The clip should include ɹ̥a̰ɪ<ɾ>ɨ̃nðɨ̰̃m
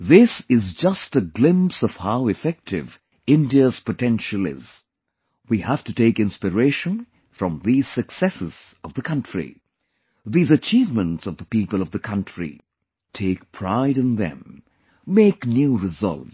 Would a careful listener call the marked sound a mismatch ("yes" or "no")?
no